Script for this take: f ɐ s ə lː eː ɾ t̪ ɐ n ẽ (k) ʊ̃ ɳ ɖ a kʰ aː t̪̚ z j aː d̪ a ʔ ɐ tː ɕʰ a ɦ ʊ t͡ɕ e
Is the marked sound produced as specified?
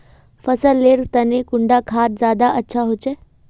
yes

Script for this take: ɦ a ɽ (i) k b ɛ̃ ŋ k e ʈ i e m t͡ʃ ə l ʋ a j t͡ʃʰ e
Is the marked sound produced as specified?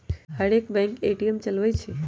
no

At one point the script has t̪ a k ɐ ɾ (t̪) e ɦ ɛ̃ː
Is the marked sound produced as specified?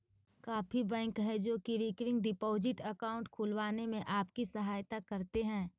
yes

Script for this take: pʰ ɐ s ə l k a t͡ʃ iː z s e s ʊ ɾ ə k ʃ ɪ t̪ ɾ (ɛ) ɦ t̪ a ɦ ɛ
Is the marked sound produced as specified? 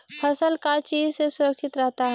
yes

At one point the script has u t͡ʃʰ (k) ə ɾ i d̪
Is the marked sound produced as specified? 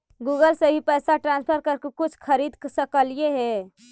no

